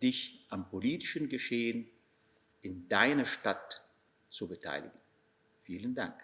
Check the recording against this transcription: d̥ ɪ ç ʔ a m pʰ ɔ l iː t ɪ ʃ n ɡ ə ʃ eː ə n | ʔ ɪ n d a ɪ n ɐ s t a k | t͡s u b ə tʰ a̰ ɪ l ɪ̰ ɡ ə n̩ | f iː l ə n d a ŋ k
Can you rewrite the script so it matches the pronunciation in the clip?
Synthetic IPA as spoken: d̥ ɪ ç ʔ a m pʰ o l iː t ɪ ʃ n ɡ ə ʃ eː ə n | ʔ ɪ n d a ɪ n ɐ ʃ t a t | t͡s u b ə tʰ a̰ ɪ l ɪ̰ ɡ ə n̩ | f iː l ə n d a ŋ k